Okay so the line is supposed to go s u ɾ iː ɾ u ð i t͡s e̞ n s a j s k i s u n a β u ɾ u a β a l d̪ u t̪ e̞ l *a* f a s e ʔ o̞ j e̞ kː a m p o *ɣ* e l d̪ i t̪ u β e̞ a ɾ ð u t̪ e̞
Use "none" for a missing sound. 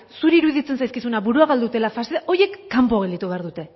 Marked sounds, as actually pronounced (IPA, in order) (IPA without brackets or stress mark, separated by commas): a, ɣ